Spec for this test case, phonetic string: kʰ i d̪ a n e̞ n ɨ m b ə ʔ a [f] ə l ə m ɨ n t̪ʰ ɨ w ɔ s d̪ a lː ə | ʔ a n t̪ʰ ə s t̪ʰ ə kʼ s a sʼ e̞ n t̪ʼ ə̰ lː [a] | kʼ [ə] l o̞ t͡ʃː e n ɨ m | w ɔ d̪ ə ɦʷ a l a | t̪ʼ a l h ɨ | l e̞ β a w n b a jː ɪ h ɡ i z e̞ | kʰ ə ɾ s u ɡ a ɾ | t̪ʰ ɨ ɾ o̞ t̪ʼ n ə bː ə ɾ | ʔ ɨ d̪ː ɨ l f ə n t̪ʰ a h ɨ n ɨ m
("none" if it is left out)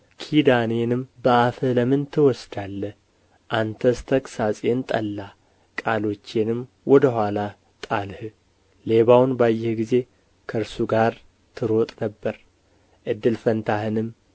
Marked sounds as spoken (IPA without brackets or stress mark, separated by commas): f, a, a